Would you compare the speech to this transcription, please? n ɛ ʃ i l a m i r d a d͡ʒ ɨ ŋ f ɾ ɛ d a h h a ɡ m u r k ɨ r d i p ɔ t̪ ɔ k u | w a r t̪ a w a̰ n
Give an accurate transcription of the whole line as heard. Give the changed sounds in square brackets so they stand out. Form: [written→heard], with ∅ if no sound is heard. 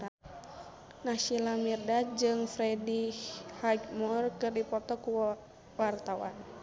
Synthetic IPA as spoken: n [ɛ→a] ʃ i l a m i r d a d͡ʒ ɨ ŋ f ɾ ɛ d [a→i] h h a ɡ m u r k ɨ r d i p ɔ t̪ ɔ k u | w a r t̪ a w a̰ n

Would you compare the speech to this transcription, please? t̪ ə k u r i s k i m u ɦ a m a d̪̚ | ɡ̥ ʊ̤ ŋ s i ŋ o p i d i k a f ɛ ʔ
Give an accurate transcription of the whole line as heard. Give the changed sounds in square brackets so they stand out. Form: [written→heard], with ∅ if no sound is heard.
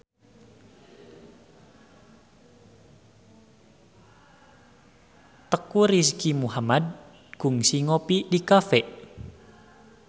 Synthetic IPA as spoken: t̪ ə k u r i s k i m u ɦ a m a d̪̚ | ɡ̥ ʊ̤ ŋ s i ŋ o p i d i k a f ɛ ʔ

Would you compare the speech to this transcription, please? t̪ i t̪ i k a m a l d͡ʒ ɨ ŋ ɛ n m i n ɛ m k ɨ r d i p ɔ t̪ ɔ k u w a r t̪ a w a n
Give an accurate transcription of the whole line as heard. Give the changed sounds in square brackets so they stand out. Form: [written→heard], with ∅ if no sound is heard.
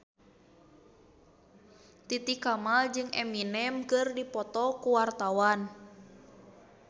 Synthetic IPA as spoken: t̪ i t̪ i k a m a l d͡ʒ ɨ ŋ ɛ [n→∅] m i n ɛ m k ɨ r d i p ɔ t̪ ɔ k u w a r t̪ a w a n

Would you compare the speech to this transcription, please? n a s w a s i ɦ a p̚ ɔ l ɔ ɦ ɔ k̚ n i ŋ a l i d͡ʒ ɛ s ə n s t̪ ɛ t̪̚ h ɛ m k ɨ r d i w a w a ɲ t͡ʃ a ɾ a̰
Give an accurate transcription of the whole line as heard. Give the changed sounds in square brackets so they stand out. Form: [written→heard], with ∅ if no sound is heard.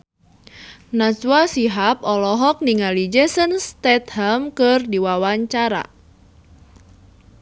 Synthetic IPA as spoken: n a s w a s i ɦ a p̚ ɔ l ɔ ɦ ɔ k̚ n i ŋ a l i d͡ʒ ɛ s ə n s t̪ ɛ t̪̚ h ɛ m k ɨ r d i w a w a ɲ t͡ʃ a ɾ a̰

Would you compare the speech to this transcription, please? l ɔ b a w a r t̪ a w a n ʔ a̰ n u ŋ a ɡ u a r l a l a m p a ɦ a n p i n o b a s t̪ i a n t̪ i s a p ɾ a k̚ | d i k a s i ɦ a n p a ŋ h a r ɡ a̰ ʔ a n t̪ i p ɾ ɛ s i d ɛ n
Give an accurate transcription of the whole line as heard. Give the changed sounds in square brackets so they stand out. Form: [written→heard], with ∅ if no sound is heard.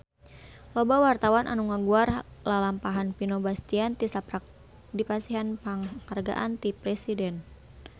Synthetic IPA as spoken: l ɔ b a w a r t̪ a w a n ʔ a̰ n u ŋ a ɡ u a r l a l a m p a ɦ a n p i n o b a s t̪ i a n t̪ i s a p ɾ a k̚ | d i [k→p] a s i ɦ a n p a ŋ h a r ɡ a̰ ʔ a n t̪ i p ɾ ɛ s i d ɛ n

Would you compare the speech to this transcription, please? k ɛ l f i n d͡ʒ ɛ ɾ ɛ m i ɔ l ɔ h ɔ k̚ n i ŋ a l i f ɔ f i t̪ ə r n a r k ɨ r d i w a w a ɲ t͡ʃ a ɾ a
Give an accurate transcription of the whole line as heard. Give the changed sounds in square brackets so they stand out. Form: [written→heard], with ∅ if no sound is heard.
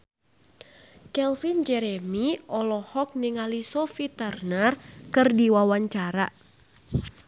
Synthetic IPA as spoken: k ɛ l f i n d͡ʒ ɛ ɾ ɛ m i ɔ l ɔ h ɔ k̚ n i ŋ a l i [f→s] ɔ f i t̪ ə r n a r k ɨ r d i w a w a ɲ t͡ʃ a ɾ a

